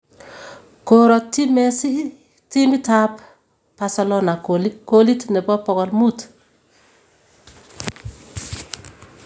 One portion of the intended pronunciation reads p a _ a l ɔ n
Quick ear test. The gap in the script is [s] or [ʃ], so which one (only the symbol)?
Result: s